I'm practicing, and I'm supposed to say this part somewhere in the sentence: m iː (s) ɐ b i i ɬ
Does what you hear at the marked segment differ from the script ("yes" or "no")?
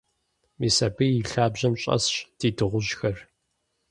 no